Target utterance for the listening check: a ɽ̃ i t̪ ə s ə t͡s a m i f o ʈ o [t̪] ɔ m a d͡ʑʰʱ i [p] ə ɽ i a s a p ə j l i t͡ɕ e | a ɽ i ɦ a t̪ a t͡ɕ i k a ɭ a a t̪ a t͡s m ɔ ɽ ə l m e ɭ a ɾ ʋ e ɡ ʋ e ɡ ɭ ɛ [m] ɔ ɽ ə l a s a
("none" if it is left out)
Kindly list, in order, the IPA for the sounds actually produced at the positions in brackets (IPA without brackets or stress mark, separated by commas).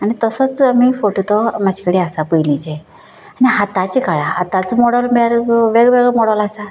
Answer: t̪, k, m